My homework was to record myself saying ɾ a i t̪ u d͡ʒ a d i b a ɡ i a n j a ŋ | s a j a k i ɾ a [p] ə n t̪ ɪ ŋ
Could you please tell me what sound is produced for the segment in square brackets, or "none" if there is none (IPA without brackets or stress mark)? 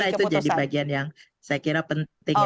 p